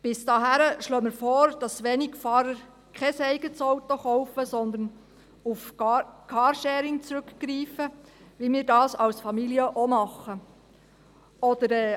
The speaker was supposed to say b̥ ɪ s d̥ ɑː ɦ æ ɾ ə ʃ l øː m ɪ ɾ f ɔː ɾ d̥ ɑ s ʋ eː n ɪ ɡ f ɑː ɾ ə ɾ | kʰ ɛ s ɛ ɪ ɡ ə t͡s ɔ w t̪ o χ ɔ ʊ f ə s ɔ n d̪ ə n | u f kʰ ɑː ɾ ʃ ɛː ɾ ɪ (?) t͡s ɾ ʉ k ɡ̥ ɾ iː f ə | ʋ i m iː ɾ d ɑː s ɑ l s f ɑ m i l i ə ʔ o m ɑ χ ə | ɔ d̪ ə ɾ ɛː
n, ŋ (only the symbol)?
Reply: ŋ